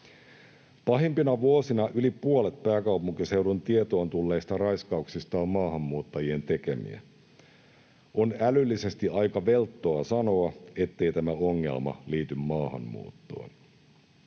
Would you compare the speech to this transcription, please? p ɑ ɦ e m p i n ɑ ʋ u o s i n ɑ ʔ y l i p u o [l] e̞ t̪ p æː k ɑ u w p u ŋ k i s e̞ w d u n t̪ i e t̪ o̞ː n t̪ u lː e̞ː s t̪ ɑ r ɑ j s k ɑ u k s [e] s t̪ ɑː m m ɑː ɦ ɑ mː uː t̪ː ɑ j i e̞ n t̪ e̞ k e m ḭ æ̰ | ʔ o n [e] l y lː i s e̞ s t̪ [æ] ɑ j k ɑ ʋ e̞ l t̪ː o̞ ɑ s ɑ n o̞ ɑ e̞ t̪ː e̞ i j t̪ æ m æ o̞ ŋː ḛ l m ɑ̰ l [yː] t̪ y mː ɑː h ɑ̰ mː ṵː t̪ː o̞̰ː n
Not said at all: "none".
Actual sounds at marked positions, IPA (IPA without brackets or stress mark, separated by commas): l, i, æ, i, iː